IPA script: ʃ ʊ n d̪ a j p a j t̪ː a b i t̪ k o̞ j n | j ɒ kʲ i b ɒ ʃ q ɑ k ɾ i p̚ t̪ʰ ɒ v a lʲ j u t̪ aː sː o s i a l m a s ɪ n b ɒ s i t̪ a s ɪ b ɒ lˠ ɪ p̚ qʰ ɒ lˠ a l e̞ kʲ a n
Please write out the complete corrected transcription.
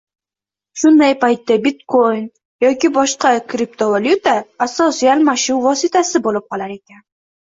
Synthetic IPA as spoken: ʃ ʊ n d̪ a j p a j t̪ː a b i t̪ k o̞ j n | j ɒ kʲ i b ɒ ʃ q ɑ k ɾ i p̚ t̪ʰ o v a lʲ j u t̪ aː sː o s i a l m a ʃ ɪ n v ɒ s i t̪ a s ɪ b o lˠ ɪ p̚ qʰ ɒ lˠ a ɾ e̞ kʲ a n